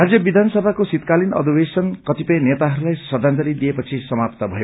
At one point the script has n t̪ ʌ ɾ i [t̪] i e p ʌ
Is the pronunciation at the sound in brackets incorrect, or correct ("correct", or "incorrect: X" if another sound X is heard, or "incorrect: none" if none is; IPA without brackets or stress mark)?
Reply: incorrect: d̪